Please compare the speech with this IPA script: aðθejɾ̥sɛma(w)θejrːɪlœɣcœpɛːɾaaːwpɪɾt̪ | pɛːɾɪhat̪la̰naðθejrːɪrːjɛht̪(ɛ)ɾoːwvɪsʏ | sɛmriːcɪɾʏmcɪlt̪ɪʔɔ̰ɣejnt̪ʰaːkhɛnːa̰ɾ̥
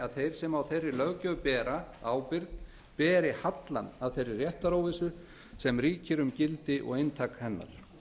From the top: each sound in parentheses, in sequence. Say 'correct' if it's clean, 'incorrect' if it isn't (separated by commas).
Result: correct, incorrect